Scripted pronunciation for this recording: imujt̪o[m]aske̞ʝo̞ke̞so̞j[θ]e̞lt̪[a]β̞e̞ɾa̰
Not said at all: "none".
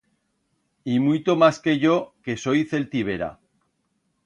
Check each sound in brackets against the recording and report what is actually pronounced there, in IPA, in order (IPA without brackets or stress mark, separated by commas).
m, θ, i